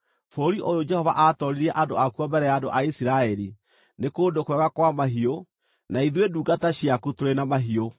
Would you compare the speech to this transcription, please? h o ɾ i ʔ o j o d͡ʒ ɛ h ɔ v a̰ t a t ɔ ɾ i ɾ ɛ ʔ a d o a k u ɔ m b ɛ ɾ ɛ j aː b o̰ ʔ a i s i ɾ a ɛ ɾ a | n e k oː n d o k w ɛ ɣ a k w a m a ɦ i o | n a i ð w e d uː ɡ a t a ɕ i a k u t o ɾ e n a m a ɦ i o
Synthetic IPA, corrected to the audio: f o ɾ i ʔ o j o d͡ʒ ɛ h ɔ v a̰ ʔ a t ɔ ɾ i ɾ ɛ ʔ a d o a k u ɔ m b ɛ ɾ ɛ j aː d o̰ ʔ a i s i ɾ a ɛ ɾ i | n e k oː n d o k w ɛ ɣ a k w a m a ɦ i o | n a i ð w e d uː ɡ a t a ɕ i a k u t o ɾ e n a m a ɦ i o